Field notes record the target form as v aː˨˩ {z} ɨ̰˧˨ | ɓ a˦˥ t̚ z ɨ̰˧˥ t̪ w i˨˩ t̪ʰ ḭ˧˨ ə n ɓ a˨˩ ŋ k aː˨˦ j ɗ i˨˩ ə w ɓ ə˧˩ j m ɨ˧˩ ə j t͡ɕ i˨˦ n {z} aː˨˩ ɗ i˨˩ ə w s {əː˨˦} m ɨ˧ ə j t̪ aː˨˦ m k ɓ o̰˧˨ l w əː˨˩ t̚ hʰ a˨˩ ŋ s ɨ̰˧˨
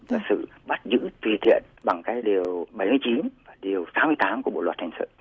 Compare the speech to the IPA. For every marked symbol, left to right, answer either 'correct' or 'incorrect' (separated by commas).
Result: incorrect, incorrect, incorrect